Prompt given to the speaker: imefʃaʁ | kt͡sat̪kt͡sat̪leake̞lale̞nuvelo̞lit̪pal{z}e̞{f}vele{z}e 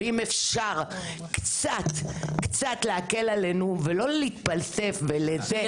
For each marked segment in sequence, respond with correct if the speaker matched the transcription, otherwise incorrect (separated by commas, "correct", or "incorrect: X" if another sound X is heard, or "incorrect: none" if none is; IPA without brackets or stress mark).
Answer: incorrect: s, correct, correct